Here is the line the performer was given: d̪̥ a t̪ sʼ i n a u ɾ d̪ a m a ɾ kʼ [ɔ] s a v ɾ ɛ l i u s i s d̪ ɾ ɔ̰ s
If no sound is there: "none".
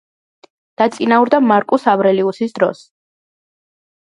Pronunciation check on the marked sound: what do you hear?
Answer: u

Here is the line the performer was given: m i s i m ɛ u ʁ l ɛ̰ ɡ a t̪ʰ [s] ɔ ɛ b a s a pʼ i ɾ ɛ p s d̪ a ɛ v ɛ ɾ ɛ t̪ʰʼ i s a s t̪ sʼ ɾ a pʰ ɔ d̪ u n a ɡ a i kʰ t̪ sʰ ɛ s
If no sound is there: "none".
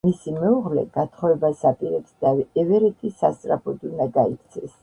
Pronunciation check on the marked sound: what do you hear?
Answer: χ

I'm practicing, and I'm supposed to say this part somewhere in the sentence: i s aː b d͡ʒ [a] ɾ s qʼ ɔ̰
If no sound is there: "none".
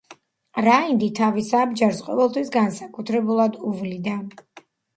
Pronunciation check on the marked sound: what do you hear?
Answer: a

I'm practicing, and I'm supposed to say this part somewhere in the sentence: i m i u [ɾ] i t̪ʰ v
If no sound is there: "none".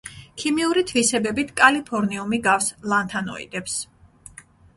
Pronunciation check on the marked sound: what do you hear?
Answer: ɾ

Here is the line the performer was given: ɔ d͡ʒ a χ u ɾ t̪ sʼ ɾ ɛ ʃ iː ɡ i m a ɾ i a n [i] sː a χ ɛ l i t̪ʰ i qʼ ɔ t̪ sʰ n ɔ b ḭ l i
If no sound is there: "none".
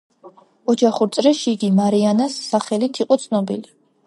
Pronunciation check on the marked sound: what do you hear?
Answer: a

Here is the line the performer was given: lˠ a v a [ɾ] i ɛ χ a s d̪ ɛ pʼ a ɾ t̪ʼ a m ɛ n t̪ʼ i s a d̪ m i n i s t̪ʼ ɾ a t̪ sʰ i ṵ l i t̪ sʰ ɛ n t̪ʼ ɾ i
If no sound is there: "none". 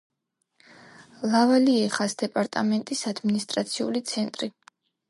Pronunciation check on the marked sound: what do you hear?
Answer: l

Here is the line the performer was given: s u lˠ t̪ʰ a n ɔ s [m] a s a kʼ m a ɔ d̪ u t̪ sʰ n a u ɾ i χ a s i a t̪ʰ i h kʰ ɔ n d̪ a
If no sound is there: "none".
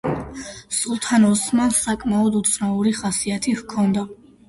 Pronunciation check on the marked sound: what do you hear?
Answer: m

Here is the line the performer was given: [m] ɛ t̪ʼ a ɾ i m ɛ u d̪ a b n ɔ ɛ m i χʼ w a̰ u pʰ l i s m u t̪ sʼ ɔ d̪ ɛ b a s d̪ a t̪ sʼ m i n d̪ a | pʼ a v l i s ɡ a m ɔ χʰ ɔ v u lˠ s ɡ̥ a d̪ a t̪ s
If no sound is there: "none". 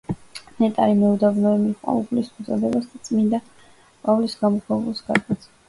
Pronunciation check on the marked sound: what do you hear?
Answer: n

